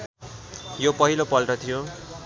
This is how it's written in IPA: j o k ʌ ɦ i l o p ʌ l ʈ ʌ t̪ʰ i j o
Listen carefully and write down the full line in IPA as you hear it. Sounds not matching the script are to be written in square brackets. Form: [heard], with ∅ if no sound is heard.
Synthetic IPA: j o [p] ʌ ɦ i l o p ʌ l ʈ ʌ t̪ʰ i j o